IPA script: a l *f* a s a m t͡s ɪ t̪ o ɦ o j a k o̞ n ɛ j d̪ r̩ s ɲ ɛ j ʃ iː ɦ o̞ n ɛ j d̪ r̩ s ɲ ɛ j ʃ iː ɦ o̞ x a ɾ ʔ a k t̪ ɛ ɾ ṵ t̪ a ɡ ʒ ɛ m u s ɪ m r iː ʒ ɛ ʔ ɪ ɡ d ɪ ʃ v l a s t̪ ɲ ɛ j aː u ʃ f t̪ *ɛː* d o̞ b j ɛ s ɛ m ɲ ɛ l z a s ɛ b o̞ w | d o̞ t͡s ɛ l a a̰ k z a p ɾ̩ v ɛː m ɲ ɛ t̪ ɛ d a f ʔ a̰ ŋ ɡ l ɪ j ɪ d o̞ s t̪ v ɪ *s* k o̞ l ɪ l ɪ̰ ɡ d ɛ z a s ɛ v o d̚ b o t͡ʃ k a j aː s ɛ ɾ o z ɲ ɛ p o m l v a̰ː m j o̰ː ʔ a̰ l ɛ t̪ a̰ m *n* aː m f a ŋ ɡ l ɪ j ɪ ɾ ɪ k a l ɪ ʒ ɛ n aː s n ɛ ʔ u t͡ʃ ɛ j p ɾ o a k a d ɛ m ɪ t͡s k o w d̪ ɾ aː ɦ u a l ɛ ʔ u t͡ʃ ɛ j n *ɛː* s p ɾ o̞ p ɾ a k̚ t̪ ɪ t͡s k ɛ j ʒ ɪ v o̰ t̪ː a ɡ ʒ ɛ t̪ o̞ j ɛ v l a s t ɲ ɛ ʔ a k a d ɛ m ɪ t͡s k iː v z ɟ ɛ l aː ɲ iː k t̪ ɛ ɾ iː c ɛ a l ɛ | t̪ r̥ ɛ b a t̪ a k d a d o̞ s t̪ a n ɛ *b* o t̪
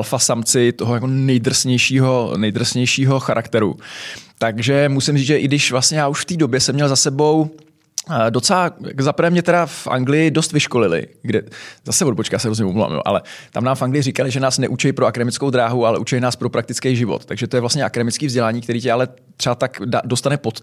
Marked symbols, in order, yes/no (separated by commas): yes, no, no, yes, no, no